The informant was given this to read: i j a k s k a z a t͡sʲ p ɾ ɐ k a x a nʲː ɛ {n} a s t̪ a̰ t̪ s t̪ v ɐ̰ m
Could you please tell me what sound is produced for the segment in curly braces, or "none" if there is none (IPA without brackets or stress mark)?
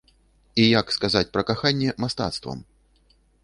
m